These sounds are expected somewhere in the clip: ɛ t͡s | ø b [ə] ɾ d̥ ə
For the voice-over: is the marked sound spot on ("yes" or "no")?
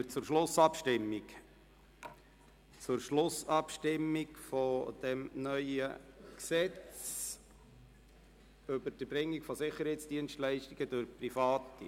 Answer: yes